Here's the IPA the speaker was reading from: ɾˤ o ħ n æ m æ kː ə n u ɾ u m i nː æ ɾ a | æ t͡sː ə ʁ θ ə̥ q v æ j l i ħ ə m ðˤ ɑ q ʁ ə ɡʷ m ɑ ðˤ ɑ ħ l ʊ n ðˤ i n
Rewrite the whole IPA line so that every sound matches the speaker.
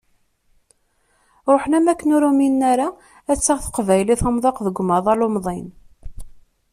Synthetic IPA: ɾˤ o ħ n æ m æ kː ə n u ɾ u m i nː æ ɾ a | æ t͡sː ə ʁ θ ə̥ q v æ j l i θ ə m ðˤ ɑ q ð ə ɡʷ m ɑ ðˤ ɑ l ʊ m ðˤ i n

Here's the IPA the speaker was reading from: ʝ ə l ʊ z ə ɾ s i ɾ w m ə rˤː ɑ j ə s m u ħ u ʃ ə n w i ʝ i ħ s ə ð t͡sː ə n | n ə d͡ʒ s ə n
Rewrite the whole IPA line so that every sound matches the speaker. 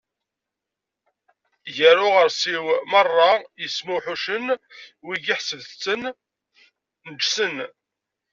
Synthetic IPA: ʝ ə ɾ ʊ ʁ ə ɾ s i w m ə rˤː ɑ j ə s m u ħ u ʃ ə n w i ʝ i ħ s ə ð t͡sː ə n | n ə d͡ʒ s ə n

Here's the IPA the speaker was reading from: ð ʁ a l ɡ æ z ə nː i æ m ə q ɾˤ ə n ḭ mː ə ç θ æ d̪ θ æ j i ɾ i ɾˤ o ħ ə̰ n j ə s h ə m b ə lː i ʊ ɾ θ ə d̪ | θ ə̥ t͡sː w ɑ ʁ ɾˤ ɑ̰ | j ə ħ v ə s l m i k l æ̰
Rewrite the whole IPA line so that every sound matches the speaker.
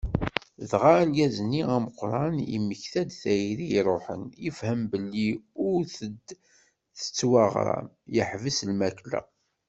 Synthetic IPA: ð ʁ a l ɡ æ z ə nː i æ m ə q ɾˤ ɑ n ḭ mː ə ç θ æ d̪ θ æ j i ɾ i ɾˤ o ħ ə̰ n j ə f h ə m b ə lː i ʊ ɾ θ ə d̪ | θ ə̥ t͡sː w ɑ ʁ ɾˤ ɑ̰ | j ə ħ v ə s l m æ k l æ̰

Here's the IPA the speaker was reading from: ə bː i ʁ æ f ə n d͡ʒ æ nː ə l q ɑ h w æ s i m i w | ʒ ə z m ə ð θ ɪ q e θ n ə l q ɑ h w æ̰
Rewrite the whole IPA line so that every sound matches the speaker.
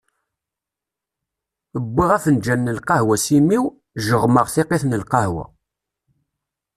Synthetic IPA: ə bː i ʁ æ f ə n d͡ʒ æ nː ə l q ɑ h w æ s i m i w | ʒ ə ʁ m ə ʁ θ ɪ q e θ n ə l q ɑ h w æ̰

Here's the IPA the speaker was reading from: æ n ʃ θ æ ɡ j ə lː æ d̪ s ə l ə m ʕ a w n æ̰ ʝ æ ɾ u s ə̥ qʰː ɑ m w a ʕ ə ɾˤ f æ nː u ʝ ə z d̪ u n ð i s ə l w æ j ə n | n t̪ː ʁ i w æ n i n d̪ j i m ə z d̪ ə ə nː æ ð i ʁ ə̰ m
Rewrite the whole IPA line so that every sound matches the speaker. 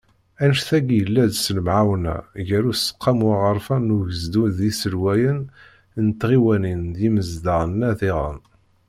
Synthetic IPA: æ n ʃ θ æ ɡ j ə lː æ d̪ s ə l ə m ʕ a w n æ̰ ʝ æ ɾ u s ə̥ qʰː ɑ m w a ʁ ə ɾˤ f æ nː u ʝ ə z d̪ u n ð i s ə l w æ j ə n | n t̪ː ʁ i w æ n i n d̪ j i m ə z d̪ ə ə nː æ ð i ʁ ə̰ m

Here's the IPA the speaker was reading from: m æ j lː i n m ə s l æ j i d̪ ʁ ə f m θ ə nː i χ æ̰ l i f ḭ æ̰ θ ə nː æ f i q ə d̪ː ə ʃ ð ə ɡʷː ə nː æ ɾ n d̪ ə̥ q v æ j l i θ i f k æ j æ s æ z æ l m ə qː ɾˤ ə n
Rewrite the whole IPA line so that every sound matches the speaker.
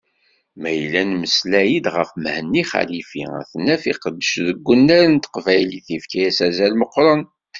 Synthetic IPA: m æ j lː æ n m ə s l æ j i d̪ ʁ ə f m h ə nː i χ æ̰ l i f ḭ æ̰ θ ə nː æ f i q ə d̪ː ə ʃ ð ə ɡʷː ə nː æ ɾ n t̪ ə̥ q v æ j l i θ i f k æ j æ s æ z æ l m ə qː ɾˤ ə n

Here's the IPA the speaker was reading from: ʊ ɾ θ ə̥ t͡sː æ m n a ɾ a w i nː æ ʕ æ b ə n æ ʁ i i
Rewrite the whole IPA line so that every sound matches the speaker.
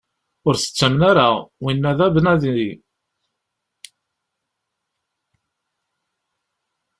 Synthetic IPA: ʊ ɾ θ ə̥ t͡sː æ m n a ɾ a w i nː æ ð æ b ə n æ ð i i

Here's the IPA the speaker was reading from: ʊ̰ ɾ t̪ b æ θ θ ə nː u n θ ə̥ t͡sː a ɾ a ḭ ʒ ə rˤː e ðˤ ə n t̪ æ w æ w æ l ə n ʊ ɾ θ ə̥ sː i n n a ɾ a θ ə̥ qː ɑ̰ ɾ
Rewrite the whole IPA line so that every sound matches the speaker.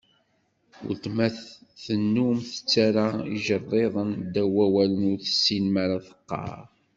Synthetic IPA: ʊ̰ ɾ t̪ m æ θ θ ə nː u m θ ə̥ t͡sː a ɾ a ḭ ʒ ə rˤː e ðˤ ə n d̪ æ w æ w æ l ə n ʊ ɾ θ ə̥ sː i n m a ɾ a θ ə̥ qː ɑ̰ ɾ

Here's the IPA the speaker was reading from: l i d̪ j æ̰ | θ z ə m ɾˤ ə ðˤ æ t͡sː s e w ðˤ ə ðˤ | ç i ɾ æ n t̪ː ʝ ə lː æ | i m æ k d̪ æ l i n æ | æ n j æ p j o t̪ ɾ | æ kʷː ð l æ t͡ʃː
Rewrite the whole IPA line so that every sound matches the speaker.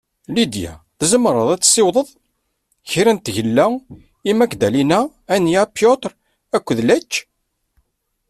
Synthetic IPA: l i d̪ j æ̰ | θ z ə m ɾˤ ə ðˤ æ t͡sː s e w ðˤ ə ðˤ | ç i ɾ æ n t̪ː ʝ ə lː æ | i m æ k d̪ æ l i n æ | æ n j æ p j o t̪ ɾ | æ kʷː ð l æ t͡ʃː

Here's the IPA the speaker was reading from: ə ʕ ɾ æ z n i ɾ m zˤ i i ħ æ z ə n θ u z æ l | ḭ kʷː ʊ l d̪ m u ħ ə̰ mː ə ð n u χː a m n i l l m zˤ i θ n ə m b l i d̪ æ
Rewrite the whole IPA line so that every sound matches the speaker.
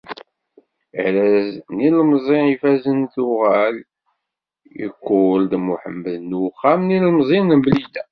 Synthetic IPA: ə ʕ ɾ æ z n i l m zˤ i i f æ z ə n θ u ʁ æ l | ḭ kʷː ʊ l d̪ m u ħ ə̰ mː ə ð n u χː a m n i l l m zˤ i n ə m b l i d̪ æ

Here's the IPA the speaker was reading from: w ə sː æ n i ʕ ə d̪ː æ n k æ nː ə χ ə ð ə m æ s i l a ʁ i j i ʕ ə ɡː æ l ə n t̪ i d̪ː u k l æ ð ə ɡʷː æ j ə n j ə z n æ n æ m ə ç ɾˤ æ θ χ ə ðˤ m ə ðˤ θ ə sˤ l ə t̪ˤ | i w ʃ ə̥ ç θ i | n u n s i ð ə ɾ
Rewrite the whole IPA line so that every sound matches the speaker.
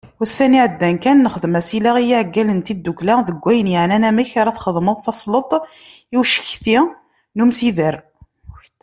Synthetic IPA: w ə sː æ n i ʕ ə d̪ː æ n k æ nː ə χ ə ð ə m æ s i l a ʁ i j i ʕ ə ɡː æ l ə n t̪ i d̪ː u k l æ ð ə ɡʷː æ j ə n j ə ʕ n æ n æ m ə ç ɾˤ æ θ χ ə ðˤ m ə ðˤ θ ɑ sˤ l ə t̪ˤ | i w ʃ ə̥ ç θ i | n u m s i ð ə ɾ

